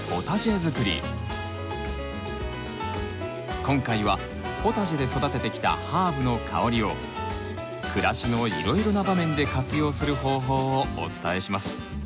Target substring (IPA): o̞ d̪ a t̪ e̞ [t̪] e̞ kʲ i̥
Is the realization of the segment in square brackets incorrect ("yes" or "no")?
no